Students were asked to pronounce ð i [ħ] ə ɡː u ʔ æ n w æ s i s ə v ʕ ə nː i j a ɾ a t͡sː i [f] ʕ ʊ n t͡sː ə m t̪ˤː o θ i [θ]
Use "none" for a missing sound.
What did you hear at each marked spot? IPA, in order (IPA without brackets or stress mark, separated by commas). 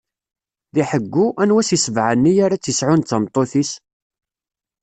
ħ, s, s